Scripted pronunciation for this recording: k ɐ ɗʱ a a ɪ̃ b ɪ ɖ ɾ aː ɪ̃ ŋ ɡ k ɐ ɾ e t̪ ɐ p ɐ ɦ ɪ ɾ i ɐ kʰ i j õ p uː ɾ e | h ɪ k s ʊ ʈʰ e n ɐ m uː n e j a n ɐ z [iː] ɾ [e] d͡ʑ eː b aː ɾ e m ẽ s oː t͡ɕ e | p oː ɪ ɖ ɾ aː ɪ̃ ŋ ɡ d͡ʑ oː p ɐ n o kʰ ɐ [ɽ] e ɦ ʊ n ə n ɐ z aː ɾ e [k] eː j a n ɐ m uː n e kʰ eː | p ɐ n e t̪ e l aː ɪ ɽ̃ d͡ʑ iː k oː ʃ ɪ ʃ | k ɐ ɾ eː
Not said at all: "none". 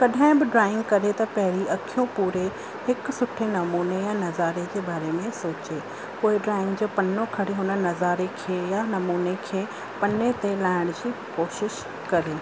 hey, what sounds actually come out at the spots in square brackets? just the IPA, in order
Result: aː, e, ɽ, kʰ

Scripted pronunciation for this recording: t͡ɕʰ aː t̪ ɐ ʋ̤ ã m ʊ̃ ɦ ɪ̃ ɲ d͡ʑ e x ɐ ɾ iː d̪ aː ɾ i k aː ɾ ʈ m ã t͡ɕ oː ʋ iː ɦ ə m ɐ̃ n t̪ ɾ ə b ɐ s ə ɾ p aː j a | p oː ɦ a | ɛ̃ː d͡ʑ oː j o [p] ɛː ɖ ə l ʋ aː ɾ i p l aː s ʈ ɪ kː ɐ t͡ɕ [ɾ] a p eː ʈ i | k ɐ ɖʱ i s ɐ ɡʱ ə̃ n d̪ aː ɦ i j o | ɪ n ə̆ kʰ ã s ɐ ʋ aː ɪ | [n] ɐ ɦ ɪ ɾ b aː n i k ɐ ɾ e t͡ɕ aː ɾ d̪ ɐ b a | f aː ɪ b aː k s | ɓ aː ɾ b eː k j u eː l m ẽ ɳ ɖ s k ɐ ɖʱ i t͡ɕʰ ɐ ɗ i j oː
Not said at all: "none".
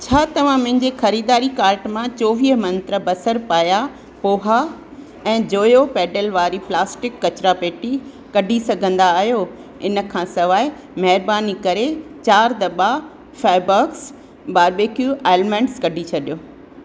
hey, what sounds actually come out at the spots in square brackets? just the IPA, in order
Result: p, ɾ, m

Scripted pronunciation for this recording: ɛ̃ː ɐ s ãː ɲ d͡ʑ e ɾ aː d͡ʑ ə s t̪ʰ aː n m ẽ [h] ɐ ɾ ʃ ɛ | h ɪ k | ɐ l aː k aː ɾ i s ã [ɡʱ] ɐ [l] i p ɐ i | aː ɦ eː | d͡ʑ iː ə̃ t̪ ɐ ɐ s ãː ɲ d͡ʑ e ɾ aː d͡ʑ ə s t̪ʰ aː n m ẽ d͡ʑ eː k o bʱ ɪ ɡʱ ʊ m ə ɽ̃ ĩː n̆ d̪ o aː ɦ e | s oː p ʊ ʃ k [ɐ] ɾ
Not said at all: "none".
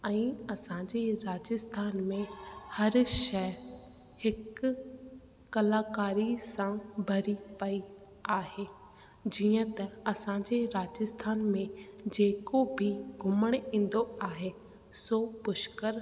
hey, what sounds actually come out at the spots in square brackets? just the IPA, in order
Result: h, bʱ, ɾ, ə

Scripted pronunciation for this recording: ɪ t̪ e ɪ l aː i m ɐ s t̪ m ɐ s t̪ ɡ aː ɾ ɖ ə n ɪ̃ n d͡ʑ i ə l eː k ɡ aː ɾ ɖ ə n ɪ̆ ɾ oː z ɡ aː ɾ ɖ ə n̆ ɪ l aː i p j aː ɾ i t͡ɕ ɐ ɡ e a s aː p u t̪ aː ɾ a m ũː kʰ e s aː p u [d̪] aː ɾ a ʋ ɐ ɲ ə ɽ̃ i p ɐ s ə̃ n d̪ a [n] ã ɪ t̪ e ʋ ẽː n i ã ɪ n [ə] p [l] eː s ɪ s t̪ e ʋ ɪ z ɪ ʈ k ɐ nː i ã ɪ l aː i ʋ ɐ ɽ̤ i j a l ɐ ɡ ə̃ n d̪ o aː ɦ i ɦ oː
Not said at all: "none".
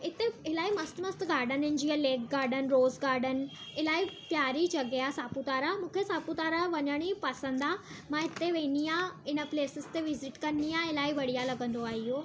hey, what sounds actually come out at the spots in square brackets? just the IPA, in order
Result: t̪, m, ə, l

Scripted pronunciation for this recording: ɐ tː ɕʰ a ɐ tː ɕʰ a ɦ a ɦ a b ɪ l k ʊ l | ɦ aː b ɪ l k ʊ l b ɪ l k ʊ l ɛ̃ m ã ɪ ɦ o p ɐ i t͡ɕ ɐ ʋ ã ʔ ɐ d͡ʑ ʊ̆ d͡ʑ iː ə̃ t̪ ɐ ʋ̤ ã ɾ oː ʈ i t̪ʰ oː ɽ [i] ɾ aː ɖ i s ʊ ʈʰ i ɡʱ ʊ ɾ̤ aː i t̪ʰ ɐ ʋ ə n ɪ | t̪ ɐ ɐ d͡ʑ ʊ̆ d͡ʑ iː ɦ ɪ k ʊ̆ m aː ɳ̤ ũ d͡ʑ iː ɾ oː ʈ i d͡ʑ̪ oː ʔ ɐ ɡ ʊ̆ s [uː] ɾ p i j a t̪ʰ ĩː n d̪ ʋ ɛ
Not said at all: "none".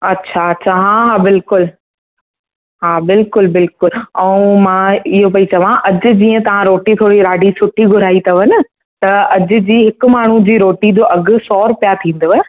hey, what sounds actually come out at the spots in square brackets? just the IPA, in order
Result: i, ɔː

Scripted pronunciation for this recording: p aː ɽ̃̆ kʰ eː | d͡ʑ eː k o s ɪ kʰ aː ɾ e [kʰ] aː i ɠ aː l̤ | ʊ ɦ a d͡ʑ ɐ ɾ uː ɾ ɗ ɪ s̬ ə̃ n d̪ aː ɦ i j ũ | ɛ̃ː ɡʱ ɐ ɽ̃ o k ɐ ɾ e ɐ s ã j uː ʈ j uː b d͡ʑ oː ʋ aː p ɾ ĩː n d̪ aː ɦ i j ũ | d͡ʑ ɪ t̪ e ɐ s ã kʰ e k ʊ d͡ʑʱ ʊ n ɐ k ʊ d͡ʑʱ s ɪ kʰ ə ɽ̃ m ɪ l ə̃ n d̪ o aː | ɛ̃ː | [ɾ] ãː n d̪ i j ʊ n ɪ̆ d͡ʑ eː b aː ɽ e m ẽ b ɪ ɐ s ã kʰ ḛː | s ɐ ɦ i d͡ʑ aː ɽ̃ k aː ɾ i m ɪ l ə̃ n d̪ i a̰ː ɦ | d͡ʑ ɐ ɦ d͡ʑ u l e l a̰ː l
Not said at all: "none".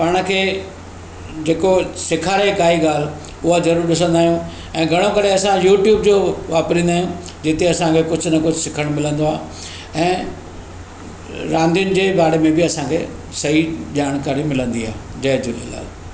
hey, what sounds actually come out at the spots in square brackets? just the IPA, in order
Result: k, ɾ

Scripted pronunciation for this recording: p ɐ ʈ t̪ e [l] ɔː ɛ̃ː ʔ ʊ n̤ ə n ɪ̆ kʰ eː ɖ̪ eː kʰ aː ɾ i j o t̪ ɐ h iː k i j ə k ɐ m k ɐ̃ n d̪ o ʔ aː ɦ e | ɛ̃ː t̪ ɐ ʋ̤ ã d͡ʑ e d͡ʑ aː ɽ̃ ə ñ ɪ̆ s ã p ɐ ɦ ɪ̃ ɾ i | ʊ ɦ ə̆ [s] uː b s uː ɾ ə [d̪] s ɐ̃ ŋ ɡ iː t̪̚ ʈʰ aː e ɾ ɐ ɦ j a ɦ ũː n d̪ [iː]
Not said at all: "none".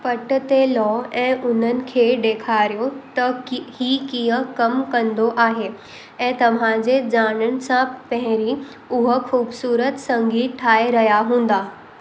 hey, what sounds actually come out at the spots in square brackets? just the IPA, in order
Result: l, x, t̪, aː

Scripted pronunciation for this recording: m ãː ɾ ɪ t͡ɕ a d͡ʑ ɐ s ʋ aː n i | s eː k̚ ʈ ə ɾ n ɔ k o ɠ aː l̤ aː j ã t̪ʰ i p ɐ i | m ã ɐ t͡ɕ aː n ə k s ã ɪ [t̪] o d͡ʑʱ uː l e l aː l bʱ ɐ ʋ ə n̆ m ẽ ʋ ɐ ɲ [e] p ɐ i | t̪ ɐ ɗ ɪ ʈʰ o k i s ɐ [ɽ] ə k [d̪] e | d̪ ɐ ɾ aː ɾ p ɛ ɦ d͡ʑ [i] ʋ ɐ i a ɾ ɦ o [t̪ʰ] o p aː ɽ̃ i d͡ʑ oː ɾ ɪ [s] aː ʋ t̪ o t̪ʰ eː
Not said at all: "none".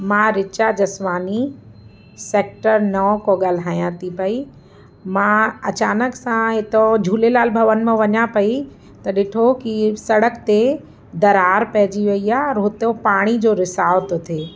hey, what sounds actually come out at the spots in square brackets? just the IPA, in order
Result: t̪, a, ɽ, t̪, i, t̪, s

